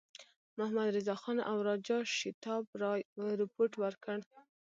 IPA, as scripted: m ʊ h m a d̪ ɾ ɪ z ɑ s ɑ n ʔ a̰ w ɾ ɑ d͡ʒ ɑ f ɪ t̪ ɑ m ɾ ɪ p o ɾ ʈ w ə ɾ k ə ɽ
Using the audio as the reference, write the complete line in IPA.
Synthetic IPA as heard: m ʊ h m a d̪ ɾ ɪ z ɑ x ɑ n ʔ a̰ w ɾ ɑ d͡ʒ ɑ ʃ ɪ t̪ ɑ b ɾ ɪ p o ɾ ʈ w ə ɾ k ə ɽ